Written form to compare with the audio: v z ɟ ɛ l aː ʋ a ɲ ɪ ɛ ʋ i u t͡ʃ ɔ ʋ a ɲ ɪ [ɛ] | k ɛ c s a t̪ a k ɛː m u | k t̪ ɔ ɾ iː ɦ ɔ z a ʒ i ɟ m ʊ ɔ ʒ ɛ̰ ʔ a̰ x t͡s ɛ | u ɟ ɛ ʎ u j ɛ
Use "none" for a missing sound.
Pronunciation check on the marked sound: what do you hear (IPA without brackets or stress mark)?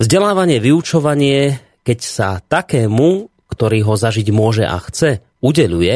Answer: ɛ